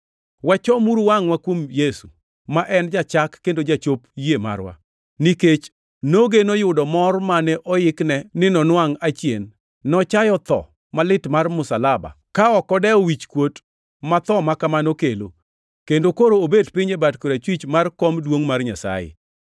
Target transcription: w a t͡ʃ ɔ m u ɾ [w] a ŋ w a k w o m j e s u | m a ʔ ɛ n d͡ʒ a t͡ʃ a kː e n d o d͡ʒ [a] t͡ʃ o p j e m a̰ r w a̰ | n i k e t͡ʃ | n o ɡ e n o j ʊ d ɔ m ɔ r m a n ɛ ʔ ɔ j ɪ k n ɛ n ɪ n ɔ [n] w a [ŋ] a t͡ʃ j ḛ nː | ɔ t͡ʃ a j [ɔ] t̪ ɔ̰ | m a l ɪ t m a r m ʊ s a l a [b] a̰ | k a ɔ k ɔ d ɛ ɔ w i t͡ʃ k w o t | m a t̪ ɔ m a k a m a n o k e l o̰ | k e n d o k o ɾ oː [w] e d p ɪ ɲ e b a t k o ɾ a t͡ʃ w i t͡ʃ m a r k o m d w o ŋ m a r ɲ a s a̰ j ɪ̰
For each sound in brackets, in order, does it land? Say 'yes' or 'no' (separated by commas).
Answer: yes, yes, yes, yes, yes, yes, no